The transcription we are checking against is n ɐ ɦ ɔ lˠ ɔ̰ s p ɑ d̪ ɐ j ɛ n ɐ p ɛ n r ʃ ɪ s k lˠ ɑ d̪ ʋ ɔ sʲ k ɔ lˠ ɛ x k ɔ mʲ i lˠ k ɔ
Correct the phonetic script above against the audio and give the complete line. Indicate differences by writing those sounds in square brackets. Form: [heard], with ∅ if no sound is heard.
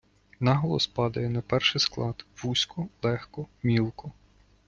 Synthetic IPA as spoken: n [ɑ] ɦ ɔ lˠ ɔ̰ s p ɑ d̪ ɐ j ɛ n ɐ p ɛ [∅] r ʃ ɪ s k lˠ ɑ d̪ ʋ [u] sʲ k ɔ lˠ ɛ x k ɔ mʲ i lˠ k ɔ